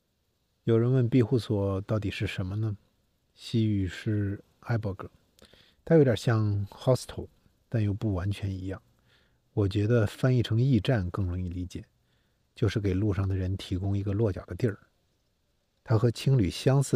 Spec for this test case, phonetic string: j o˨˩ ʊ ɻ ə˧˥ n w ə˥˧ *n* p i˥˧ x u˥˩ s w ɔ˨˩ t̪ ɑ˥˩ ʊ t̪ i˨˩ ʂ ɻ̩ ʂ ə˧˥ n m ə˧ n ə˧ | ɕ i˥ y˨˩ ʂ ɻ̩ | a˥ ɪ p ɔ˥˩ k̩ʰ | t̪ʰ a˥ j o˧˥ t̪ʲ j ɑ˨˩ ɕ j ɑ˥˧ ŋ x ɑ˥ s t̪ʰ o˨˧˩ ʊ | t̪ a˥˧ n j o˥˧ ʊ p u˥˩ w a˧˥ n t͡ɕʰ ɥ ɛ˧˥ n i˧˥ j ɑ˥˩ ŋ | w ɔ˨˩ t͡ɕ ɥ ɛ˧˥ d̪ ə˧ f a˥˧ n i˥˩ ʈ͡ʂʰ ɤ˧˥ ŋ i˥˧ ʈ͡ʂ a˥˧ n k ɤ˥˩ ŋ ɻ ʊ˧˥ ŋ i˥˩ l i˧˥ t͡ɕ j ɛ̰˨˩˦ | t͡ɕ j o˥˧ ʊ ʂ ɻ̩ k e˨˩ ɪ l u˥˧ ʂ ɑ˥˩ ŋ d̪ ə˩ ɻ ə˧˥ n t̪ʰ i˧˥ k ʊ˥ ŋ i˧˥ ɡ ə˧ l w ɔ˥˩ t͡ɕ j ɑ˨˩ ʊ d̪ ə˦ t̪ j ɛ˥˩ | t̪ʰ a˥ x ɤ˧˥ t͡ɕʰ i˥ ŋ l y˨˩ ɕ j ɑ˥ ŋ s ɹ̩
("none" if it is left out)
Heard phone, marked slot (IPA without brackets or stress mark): n